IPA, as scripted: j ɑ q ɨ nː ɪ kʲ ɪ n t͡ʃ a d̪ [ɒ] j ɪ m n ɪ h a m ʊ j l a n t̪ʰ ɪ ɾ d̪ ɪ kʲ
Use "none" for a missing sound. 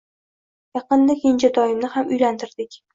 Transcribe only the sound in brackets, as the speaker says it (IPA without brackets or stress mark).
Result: ɒ